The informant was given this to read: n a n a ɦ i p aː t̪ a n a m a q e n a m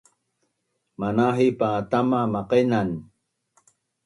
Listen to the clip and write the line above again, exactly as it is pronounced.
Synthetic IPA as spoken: m a n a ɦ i p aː t̪ a m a m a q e n a n